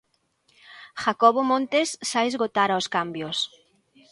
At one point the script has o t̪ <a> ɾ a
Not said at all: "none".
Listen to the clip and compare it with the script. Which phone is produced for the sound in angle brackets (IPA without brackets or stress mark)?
a